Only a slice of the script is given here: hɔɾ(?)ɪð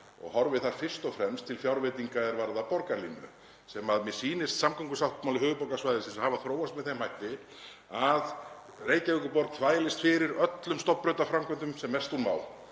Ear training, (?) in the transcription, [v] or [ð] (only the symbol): v